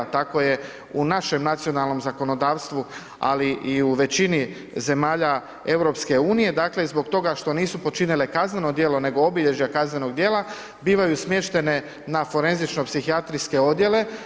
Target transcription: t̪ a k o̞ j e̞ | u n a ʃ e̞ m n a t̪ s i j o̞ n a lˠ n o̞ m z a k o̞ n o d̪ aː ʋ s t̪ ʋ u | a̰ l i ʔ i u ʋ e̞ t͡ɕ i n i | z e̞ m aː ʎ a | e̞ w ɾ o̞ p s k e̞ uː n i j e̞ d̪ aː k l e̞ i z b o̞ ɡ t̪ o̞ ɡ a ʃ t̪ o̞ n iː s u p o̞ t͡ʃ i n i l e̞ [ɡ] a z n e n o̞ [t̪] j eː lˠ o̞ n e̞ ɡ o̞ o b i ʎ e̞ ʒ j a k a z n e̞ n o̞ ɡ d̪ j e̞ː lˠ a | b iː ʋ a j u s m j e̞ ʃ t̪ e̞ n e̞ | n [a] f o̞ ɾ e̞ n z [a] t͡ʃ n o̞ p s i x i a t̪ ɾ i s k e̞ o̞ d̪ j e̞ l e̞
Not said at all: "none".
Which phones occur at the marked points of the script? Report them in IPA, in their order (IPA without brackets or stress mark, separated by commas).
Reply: k, d̪, a, i